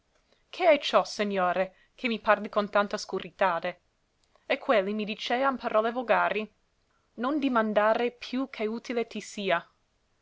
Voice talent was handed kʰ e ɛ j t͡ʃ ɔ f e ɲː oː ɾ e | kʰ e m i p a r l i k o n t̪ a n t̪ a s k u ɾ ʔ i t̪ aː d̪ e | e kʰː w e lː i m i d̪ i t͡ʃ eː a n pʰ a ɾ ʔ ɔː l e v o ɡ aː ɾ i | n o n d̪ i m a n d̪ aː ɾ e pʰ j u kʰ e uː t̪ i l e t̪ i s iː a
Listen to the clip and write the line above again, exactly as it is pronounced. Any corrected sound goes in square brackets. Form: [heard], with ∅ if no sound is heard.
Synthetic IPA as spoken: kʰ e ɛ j t͡ʃ ɔ [s] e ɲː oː ɾ e | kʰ e m i p a r l i k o n t̪ a n t̪ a s k u ɾ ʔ i t̪ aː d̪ e | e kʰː w e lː i m i d̪ i t͡ʃ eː a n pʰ a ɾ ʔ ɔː l e v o ɡ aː ɾ i | n o n d̪ i m a n d̪ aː ɾ e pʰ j u kʰ e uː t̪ i l e t̪ i s iː a